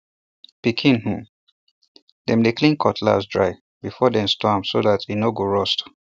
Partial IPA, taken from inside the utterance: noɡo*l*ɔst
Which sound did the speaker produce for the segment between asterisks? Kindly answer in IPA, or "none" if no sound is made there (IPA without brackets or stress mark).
ɹ